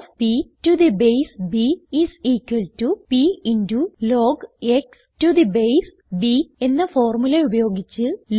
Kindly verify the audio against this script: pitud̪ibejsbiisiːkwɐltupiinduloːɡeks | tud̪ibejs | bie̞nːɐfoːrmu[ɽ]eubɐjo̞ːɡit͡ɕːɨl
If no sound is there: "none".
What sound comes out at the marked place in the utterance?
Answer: l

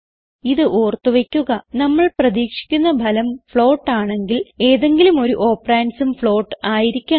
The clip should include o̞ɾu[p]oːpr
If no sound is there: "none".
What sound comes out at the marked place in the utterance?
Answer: ʔ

